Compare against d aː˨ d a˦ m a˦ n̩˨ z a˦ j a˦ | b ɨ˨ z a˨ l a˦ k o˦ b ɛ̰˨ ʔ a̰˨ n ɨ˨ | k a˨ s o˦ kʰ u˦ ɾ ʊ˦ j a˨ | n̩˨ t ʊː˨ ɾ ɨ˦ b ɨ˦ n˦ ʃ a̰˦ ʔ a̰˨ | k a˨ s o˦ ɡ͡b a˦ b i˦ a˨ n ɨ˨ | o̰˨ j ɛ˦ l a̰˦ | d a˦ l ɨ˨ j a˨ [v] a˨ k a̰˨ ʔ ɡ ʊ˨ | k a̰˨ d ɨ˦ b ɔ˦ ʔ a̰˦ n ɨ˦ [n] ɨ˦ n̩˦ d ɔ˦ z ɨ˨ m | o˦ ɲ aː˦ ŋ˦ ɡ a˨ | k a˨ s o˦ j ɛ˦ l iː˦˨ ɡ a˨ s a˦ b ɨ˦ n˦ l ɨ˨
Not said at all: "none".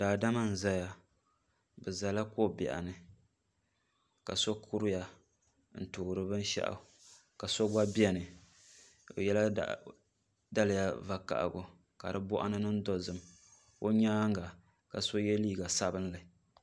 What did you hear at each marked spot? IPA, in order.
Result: v, n

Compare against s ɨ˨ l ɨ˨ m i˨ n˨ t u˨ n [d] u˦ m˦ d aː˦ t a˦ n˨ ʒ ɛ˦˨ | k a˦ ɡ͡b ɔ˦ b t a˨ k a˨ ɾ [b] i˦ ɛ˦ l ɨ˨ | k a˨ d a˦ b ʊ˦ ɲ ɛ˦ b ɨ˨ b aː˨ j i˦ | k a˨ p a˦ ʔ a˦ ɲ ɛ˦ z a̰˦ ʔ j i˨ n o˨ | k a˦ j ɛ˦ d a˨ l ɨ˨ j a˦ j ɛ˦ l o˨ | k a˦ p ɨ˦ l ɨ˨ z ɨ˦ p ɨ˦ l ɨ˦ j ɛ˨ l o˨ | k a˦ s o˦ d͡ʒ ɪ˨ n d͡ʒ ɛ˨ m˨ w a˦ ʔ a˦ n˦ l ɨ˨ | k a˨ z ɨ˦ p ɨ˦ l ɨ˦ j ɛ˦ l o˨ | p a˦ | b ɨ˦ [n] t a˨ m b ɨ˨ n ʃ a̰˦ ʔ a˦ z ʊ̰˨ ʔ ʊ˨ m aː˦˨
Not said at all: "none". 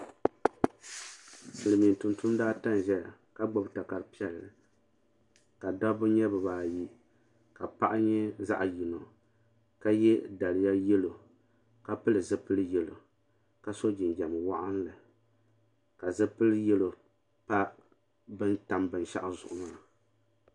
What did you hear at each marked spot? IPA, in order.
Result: t, p, n

